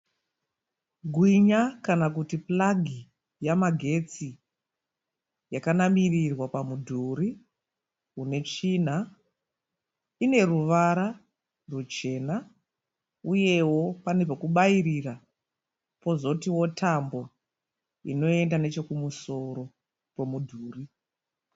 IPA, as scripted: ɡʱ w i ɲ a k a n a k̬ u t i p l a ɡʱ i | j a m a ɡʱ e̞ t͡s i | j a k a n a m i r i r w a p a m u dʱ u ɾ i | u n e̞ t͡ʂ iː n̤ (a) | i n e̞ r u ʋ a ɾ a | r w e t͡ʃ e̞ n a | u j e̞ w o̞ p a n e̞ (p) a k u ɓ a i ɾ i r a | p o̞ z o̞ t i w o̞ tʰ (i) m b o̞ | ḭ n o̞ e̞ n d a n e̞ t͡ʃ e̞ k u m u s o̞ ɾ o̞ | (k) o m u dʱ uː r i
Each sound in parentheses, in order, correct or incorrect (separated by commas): correct, correct, incorrect, incorrect